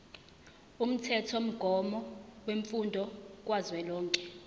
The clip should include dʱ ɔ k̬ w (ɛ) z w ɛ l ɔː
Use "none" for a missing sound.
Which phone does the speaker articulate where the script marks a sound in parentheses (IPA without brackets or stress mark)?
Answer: a